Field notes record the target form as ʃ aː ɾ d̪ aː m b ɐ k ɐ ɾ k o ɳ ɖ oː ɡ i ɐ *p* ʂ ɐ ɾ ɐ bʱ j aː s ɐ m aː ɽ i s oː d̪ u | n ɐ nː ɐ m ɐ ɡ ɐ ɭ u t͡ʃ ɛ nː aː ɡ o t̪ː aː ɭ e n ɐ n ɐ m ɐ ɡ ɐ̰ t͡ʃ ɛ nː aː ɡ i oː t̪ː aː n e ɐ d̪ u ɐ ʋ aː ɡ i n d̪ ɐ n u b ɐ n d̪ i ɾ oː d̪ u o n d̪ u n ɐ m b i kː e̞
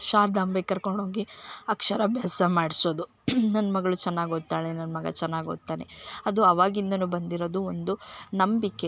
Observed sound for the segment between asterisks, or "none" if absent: k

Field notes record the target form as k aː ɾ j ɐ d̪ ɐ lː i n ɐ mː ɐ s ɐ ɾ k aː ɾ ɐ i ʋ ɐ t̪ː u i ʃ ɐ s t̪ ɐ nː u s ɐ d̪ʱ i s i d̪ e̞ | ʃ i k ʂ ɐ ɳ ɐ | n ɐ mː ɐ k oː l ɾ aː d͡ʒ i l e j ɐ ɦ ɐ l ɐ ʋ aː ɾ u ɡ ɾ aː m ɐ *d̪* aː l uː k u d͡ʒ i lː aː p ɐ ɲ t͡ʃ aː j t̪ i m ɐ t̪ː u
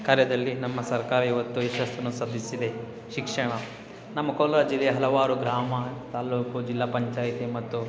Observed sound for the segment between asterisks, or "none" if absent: t̪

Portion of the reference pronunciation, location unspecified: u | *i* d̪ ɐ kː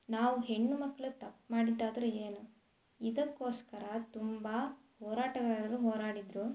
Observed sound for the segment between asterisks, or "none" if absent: i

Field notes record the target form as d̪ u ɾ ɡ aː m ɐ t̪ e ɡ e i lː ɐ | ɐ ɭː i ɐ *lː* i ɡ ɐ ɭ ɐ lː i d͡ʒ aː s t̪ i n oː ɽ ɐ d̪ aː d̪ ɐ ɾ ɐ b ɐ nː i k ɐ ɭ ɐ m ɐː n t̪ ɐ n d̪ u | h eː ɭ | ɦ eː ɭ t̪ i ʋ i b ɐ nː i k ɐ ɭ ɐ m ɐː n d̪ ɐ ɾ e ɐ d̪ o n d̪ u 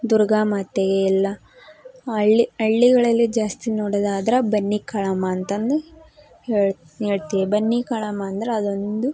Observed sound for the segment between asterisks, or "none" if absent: ɭː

